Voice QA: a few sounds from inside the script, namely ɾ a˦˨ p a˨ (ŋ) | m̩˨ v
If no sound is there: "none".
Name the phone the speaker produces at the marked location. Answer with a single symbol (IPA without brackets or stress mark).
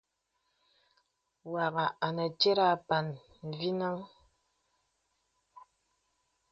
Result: n